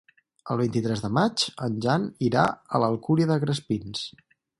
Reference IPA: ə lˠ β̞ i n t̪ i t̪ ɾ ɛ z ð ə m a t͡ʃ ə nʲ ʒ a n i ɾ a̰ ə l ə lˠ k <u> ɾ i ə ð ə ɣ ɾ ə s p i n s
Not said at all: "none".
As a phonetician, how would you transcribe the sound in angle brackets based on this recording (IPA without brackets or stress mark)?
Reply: u